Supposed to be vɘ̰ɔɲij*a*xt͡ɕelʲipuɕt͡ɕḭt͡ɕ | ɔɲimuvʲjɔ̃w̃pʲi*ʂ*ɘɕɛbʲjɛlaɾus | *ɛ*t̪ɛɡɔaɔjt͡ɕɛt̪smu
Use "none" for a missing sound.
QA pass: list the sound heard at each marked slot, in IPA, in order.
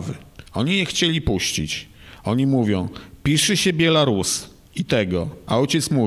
ɛ, ʂ, i

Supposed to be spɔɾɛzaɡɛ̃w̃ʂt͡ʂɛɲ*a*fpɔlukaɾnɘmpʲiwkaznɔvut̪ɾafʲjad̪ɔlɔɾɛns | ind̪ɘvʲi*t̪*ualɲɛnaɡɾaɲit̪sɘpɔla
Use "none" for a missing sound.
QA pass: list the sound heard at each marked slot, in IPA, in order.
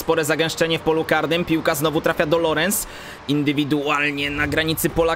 ɛ, d̪

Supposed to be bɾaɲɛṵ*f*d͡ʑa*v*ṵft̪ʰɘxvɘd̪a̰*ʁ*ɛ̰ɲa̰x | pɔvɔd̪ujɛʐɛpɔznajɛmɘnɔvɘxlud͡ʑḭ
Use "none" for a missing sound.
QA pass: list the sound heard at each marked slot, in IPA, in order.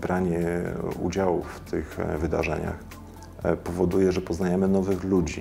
none, w, ʐ

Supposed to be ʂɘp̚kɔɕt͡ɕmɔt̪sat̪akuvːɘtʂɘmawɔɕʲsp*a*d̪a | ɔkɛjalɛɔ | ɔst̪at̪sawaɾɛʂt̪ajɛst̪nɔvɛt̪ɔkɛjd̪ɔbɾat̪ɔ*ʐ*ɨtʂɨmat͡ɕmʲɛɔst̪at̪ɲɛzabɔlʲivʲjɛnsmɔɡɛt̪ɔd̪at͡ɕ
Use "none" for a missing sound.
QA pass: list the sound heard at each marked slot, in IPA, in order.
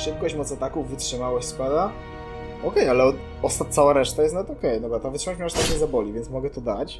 a, v

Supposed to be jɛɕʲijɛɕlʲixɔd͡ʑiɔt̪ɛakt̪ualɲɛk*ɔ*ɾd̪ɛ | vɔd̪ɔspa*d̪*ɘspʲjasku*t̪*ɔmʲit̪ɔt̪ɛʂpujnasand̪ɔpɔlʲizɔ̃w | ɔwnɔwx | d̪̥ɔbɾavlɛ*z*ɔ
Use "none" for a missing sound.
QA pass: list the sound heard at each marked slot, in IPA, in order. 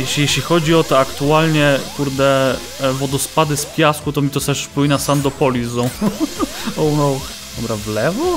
u, d̪, t̪, v

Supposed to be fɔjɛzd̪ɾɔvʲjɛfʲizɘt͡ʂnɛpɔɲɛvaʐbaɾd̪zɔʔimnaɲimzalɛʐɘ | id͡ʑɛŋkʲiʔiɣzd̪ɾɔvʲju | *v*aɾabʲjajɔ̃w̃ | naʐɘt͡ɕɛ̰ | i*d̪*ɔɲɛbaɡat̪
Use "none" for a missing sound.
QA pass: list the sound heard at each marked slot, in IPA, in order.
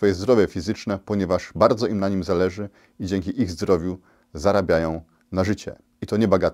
z, t̪

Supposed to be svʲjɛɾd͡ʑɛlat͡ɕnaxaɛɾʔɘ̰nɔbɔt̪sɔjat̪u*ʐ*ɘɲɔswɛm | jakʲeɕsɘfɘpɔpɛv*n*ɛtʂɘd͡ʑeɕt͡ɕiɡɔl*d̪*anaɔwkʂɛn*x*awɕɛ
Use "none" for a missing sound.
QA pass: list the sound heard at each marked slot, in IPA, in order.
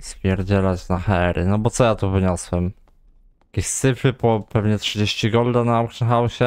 v, ɲ, d̪, x

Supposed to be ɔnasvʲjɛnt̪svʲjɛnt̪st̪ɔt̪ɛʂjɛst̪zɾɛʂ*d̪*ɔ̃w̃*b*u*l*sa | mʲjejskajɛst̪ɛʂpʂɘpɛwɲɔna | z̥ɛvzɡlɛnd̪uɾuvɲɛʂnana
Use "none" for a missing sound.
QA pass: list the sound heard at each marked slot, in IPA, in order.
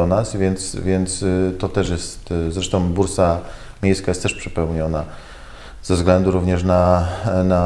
t̪, b, ɾ

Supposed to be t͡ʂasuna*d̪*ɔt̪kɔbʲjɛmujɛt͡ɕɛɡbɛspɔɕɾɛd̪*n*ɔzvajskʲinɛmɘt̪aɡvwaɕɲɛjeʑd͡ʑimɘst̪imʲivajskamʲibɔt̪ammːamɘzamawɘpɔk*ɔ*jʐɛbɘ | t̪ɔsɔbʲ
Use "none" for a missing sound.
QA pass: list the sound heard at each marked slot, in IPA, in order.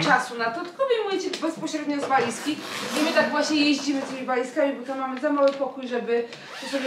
t̪, ɲ, u

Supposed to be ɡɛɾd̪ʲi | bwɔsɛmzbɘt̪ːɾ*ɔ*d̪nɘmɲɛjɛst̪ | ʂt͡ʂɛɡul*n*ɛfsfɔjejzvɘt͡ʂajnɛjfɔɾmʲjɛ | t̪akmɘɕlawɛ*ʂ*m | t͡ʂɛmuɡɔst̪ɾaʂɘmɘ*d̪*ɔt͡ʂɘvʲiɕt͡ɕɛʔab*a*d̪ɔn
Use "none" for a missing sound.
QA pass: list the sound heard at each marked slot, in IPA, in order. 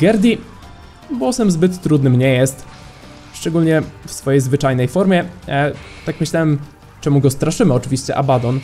u, ɲ, none, none, a

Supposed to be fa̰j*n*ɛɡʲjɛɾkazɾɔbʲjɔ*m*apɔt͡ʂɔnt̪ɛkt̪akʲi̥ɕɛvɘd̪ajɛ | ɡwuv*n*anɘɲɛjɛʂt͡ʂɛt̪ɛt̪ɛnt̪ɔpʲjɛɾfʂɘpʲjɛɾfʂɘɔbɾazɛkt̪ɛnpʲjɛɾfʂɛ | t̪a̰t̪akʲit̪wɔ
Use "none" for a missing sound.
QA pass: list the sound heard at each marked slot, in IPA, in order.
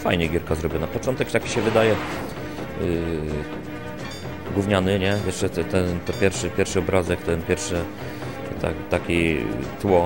ɲ, n, ɲ

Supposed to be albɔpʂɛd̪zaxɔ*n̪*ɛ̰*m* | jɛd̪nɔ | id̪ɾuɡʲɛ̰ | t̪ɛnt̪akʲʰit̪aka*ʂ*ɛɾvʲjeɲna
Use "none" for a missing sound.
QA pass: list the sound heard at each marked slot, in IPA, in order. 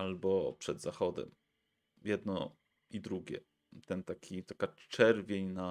d̪, m, t͡ʂ

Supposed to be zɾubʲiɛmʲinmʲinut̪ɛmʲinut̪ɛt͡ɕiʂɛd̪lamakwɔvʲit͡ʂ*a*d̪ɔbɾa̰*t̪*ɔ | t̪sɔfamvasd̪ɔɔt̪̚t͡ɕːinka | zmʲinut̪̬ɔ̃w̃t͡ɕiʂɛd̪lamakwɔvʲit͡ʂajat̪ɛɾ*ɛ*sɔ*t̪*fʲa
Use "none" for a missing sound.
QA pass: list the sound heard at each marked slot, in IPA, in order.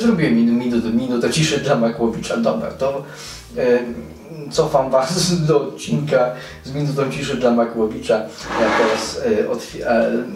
a, t̪, a, t̪

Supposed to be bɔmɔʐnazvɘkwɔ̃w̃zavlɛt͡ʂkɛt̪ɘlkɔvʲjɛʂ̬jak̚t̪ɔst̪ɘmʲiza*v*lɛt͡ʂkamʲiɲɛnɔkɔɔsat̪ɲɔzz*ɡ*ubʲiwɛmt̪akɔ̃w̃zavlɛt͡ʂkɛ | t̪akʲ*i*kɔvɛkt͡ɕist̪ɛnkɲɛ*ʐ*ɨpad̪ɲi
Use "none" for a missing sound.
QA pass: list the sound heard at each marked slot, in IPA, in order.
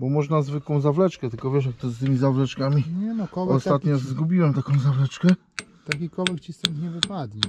v, ɡ, i, v

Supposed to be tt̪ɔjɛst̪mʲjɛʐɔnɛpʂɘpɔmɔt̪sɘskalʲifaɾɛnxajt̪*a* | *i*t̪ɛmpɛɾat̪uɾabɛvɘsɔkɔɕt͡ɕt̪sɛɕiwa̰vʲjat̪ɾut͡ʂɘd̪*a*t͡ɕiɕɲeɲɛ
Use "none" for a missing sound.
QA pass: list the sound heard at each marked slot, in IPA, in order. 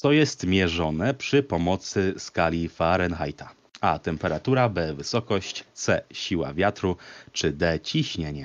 a, a, ɛ

